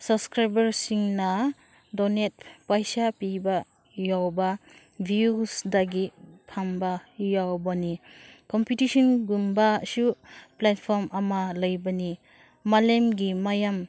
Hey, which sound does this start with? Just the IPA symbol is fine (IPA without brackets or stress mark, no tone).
s